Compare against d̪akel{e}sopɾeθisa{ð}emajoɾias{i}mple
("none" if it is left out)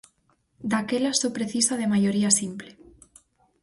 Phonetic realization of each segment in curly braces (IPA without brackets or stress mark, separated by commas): a, ð, i